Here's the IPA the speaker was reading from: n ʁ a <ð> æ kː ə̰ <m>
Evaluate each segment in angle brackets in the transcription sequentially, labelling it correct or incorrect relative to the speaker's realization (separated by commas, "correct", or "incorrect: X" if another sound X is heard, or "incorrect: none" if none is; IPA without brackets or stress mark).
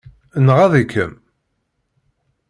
correct, correct